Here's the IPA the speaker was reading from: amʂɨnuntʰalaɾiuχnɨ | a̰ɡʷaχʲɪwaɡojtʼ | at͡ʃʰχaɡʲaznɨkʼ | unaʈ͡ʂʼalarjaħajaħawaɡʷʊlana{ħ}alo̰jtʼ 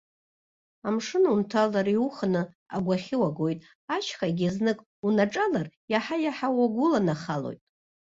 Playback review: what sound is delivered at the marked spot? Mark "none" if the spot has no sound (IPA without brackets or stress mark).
χ